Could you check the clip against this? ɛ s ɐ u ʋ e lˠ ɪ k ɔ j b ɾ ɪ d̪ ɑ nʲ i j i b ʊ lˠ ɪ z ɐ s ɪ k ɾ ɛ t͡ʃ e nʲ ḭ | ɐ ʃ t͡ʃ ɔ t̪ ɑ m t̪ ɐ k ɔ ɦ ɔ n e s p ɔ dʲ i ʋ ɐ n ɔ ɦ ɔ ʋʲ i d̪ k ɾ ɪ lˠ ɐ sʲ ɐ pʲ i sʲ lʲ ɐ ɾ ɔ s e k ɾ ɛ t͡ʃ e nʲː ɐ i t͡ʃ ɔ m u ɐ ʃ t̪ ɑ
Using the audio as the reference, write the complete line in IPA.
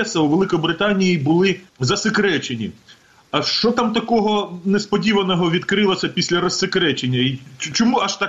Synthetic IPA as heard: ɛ s ɐ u ʋ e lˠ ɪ k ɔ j b ɾ ɪ t̪ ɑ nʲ i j i b ʊ lˠ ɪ z ɐ s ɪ k ɾ ɛ t͡ʃ e nʲ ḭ | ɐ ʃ t͡ʃ ɔ t̪ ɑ m t̪ ɐ k ɔ ɦ ɔ n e s p ɔ dʲ i ʋ ɐ n ɔ ɦ ɔ ʋʲ i d̪ k ɾ ɪ lˠ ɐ sʲ ɐ pʲ i sʲ lʲ ɐ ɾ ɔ s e k ɾ ɛ t͡ʃ e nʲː ɐ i t͡ʃ ɔ m u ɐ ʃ t̪ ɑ